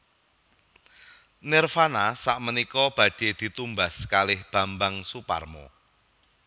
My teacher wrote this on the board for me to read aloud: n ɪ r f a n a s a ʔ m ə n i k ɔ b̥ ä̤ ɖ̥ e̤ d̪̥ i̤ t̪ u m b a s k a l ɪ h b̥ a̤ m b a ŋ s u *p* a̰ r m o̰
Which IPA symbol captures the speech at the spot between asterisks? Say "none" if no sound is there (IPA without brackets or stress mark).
p